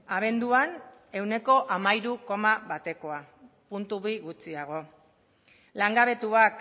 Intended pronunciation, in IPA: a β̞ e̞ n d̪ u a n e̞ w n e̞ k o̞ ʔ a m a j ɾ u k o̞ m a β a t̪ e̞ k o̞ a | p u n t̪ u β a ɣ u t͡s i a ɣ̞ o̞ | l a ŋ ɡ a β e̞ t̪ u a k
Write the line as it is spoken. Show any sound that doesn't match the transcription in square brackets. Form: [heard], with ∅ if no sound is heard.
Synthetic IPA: a β̞ e̞ n d̪ u a n e̞ w n e̞ k o̞ ʔ a m a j ɾ u k o̞ m a β a t̪ e̞ k o̞ a | p u n t̪ u β [i] ɣ u t͡s i a ɣ̞ o̞ | l a ŋ ɡ a β e̞ t̪ u a k